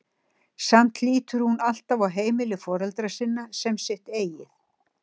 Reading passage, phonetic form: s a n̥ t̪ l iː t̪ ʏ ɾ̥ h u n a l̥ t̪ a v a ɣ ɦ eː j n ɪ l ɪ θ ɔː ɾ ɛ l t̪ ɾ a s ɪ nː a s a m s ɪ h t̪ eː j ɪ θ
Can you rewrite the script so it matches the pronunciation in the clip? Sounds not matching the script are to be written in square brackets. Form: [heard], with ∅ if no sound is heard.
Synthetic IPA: s a [m̥] t̪ l iː t̪ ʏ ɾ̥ h u n a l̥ t̪ a v a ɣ ɦ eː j [m] ɪ l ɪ [f] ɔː ɾ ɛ l t̪ ɾ a s ɪ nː a s [ɛ] m s ɪ h t̪ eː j ɪ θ